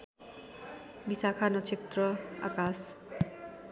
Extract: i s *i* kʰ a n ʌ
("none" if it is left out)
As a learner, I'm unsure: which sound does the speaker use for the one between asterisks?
a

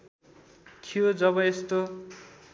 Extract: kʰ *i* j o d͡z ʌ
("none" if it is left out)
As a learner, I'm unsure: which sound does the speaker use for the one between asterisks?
i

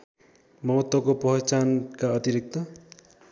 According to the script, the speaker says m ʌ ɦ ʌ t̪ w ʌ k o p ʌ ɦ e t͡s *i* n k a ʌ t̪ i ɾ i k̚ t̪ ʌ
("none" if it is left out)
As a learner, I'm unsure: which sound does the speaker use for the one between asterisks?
a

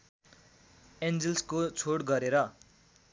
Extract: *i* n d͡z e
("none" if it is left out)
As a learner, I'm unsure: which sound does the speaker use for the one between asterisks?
e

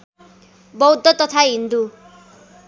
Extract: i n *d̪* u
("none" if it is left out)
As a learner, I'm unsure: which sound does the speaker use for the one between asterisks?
d̪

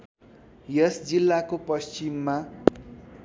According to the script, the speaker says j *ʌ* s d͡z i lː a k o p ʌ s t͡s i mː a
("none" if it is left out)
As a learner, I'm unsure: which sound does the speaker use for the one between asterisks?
ʌ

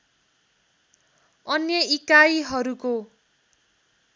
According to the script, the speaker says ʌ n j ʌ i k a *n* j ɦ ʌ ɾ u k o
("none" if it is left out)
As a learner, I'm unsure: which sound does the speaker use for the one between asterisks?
none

